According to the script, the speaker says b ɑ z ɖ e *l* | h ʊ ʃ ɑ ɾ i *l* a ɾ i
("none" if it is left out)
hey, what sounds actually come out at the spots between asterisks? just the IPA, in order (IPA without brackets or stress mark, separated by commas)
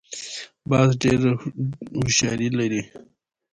ɾ, l